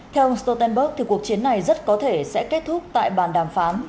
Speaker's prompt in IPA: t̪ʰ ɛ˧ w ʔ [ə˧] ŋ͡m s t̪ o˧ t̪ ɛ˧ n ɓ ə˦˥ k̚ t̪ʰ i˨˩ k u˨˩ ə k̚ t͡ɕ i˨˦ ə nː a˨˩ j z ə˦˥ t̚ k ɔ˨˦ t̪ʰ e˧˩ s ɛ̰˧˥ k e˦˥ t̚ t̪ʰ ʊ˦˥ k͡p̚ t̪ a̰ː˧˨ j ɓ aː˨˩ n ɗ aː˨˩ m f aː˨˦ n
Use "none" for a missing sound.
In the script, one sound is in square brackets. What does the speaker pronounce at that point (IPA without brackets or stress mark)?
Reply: ə˧